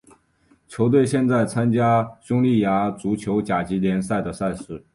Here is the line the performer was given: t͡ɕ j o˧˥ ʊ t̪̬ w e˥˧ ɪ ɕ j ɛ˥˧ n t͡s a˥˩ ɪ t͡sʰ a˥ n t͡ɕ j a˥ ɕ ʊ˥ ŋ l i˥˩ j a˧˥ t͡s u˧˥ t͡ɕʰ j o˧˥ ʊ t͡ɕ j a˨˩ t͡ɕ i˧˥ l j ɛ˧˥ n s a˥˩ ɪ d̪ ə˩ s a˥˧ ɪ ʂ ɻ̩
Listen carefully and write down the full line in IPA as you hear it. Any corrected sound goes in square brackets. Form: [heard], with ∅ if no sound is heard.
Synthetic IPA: [t͡ɕʰ] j o˧˥ ʊ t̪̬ w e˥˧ ɪ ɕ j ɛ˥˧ n t͡s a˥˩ ɪ t͡sʰ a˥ n t͡ɕ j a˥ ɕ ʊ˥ ŋ l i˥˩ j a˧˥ t͡s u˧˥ t͡ɕʰ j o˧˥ ʊ t͡ɕ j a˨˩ t͡ɕ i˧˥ l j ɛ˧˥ n s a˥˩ ɪ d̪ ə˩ s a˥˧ ɪ ʂ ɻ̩

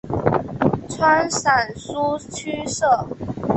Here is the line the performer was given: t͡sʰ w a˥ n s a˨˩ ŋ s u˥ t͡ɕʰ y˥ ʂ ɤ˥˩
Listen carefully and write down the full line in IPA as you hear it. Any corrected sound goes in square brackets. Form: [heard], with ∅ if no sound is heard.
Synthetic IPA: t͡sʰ w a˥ n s a˨˩ [n] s u˥ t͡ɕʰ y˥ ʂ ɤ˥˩

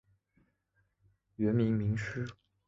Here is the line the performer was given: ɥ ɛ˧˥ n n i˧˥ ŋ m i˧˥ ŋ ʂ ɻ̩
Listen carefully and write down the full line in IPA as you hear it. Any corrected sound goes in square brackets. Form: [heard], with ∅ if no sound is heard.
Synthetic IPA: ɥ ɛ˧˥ n [m] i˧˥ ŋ m i˧˥ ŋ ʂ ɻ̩

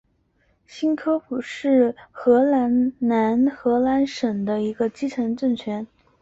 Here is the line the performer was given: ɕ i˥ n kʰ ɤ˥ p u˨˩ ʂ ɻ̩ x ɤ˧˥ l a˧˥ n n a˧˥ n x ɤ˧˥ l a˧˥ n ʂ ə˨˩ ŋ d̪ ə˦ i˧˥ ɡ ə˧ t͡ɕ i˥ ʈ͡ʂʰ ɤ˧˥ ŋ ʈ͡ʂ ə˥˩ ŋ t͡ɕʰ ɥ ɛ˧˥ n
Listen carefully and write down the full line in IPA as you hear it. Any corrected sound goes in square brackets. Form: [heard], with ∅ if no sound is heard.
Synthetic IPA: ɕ i˥ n kʰ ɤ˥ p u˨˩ ʂ ɻ̩ x ɤ˧˥ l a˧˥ n n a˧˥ n x ɤ˧˥ l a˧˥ n ʂ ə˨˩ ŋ d̪ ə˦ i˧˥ ɡ ə˧ t͡ɕ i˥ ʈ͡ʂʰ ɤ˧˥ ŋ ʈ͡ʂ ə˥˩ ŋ t͡ɕʰ ɥ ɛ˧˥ n

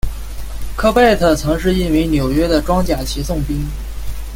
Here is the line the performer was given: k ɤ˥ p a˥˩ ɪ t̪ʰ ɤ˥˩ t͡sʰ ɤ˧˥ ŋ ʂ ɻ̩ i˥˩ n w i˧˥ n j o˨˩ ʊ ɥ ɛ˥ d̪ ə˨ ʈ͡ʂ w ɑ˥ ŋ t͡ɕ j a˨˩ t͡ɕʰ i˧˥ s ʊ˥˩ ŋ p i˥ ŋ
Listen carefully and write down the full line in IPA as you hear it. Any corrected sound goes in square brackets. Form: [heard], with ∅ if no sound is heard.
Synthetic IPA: [kʰ] ɤ˥ p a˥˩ ɪ t̪ʰ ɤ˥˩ t͡sʰ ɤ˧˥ ŋ ʂ ɻ̩ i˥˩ n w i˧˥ n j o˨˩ ʊ ɥ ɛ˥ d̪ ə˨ ʈ͡ʂ w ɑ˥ ŋ t͡ɕ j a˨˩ t͡ɕʰ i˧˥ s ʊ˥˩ ŋ p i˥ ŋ

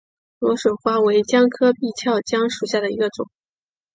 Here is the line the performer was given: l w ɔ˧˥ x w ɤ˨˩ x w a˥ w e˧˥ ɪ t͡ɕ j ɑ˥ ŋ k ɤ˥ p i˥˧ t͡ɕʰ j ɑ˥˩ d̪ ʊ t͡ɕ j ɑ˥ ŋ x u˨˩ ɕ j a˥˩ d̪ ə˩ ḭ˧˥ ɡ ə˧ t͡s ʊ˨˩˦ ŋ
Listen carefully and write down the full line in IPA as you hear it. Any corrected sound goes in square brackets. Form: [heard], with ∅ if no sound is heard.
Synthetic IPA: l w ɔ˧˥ [ʂ] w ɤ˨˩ x w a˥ w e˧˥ ɪ t͡ɕ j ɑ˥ ŋ [kʰ] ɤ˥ p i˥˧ t͡ɕʰ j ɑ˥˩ [∅] ʊ t͡ɕ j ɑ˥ ŋ [ʂ] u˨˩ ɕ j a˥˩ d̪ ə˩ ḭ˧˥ ɡ ə˧ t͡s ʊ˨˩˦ ŋ

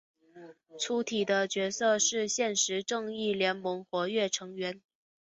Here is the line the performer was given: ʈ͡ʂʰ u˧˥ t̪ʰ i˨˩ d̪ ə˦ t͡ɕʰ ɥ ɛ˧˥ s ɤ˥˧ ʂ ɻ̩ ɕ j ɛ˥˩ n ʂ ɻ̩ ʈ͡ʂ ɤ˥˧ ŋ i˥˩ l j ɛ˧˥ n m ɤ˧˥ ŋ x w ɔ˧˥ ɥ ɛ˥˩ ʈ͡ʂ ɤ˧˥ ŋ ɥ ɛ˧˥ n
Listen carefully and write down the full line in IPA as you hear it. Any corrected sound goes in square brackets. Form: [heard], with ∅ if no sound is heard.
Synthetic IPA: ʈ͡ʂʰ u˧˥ t̪ʰ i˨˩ d̪ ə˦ [t͡ɕ] ɥ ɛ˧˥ s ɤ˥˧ ʂ ɻ̩ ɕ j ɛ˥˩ n ʂ ɻ̩ ʈ͡ʂ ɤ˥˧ ŋ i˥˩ l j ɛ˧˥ n m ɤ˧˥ ŋ x w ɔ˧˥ ɥ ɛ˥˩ [ʈ͡ʂʰ] ɤ˧˥ ŋ ɥ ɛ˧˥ n

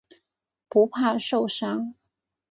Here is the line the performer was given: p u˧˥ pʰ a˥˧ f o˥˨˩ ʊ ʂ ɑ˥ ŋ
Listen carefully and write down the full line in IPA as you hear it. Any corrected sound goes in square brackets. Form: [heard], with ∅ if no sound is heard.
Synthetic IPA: p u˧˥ pʰ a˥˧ [ʂ] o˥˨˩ ʊ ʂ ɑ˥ ŋ

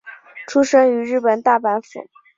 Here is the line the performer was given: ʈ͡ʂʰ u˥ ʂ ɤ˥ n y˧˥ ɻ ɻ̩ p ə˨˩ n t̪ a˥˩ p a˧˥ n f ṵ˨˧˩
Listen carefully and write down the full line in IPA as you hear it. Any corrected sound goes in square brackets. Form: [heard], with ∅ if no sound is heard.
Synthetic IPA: ʈ͡ʂʰ u˥ ʂ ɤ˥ [ŋ] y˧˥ ɻ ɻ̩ p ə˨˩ n t̪ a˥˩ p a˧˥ n f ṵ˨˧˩

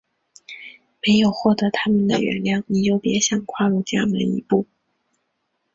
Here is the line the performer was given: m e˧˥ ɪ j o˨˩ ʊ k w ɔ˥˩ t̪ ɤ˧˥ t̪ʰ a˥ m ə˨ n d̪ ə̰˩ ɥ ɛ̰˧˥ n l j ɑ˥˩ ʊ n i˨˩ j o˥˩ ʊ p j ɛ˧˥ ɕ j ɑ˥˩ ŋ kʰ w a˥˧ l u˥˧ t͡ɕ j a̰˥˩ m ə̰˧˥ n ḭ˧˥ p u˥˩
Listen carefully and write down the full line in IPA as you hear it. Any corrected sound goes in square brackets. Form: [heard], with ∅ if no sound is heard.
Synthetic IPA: m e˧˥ ɪ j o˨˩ ʊ [x] w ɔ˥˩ t̪ ɤ˧˥ t̪ʰ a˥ m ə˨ n d̪ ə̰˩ ɥ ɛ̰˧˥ n l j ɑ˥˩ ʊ n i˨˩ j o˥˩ ʊ p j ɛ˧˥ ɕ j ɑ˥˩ ŋ kʰ w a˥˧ l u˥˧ t͡ɕ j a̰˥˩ m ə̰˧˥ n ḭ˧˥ p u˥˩

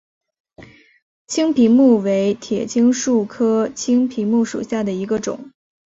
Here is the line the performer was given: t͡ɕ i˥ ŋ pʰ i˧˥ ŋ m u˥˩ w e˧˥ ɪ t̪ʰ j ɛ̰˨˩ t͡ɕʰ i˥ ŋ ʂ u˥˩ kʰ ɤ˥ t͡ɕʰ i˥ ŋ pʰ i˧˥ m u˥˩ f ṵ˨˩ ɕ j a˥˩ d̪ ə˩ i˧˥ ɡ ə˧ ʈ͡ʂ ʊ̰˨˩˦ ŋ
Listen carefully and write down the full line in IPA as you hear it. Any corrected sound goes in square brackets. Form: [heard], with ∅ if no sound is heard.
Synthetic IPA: [t͡ɕʰ] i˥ ŋ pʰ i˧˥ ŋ m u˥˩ w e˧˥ ɪ t̪ʰ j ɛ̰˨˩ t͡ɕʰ i˥ ŋ ʂ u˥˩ kʰ ɤ˥ t͡ɕʰ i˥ ŋ pʰ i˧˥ m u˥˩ [ʂ] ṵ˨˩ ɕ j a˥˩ d̪ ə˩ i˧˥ ɡ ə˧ ʈ͡ʂ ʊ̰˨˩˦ ŋ

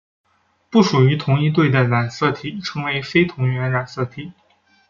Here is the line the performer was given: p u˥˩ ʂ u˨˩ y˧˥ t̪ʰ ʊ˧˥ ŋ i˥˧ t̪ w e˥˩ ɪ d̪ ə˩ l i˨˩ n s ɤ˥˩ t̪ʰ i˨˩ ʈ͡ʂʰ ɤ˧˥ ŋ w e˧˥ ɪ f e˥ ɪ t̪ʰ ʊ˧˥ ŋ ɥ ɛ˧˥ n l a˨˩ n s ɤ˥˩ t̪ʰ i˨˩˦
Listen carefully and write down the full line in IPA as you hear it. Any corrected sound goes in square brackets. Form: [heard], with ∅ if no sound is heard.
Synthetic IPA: p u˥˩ ʂ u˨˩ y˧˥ t̪ʰ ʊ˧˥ ŋ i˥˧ t̪ w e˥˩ ɪ d̪ ə˩ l [a˨˩] n s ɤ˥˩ t̪ʰ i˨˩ ʈ͡ʂʰ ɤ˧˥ ŋ w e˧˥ ɪ f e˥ ɪ t̪ʰ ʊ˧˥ ŋ ɥ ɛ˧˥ n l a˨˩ n s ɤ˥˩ t̪ʰ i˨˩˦

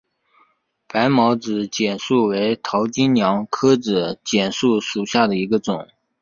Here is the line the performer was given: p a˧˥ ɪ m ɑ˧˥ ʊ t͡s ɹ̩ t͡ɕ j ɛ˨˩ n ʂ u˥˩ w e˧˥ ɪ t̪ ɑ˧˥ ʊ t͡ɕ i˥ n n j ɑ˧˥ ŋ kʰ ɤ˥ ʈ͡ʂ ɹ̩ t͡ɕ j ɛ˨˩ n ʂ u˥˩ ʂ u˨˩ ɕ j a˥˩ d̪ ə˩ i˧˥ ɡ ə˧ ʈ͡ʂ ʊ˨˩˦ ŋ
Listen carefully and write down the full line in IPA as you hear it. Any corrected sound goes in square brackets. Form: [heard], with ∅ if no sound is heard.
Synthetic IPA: p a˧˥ ɪ m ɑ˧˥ ʊ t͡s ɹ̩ t͡ɕ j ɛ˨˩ n ʂ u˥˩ w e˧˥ ɪ [t̪ʰ] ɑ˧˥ ʊ t͡ɕ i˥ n n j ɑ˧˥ ŋ kʰ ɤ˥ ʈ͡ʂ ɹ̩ t͡ɕ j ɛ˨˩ n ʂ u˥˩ ʂ u˨˩ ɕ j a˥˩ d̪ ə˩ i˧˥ ɡ ə˧ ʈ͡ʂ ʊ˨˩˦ ŋ

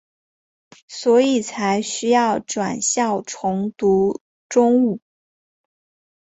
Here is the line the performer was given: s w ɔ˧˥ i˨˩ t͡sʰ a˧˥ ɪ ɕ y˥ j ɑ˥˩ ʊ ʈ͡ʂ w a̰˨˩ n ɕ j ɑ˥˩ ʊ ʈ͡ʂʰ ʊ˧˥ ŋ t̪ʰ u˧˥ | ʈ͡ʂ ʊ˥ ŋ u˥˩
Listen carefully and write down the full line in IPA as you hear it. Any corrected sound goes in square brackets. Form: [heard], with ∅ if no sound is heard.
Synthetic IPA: s w ɔ˧˥ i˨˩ t͡sʰ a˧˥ ɪ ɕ y˥ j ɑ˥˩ ʊ ʈ͡ʂ w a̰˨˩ n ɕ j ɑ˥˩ ʊ ʈ͡ʂʰ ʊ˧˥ ŋ [t̪] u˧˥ | ʈ͡ʂ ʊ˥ ŋ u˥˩

